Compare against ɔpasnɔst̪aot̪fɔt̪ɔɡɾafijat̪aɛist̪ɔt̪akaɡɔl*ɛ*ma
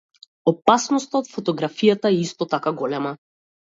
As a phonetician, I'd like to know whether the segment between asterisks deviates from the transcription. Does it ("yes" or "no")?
no